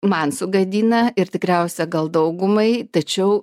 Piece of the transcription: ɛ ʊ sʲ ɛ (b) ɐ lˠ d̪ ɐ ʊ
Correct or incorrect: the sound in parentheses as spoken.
incorrect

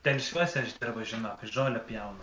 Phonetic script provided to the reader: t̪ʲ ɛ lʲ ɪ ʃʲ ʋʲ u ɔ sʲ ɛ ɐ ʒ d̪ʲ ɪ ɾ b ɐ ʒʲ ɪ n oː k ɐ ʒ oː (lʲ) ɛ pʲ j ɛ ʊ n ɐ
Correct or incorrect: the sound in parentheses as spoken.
correct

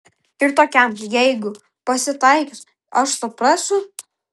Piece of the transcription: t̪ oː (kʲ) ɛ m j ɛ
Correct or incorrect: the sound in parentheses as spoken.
correct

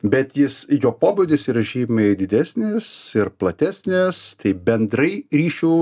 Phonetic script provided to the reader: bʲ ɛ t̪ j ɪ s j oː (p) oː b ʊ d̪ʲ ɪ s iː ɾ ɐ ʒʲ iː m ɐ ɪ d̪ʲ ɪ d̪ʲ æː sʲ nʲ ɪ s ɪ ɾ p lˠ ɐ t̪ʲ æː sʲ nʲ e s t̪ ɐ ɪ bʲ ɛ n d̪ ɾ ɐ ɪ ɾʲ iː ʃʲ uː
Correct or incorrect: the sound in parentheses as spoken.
correct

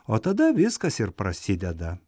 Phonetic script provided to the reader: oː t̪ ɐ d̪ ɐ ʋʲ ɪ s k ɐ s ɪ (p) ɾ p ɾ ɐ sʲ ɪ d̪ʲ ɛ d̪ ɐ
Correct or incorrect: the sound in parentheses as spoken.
incorrect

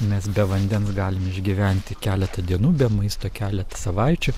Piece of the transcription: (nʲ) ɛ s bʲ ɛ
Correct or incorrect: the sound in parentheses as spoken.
incorrect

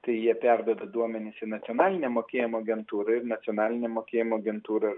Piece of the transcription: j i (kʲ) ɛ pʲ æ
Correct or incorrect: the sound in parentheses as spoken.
incorrect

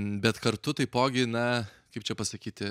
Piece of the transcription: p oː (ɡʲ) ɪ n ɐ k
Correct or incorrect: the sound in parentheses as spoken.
correct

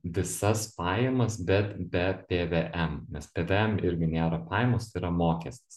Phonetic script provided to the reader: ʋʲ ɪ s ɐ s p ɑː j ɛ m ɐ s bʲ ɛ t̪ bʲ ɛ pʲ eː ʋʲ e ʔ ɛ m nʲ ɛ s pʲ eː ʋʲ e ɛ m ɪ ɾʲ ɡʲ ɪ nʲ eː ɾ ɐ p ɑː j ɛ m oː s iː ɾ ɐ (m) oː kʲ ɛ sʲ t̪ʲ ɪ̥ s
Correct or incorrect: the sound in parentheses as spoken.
correct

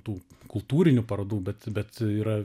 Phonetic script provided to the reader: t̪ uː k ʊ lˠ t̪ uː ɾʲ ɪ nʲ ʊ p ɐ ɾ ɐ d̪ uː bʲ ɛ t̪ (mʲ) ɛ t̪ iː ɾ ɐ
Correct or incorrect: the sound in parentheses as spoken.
incorrect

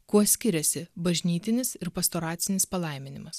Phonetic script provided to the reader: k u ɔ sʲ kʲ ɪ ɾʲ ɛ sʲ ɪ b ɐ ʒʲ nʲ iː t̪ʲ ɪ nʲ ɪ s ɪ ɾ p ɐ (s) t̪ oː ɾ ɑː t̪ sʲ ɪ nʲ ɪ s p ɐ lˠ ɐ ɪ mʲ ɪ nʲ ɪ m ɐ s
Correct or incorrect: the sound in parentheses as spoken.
correct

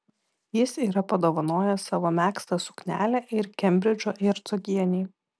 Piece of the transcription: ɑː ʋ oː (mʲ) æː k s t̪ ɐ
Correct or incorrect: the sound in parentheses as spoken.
correct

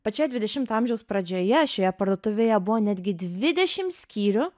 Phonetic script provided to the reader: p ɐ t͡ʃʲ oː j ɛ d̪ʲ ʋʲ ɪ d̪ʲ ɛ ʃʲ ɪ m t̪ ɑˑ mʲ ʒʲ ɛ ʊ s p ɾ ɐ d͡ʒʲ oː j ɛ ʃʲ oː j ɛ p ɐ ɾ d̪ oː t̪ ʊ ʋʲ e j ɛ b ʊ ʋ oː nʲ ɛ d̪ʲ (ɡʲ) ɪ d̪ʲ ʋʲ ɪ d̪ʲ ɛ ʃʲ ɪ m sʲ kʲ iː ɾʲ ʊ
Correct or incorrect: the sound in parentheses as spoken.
correct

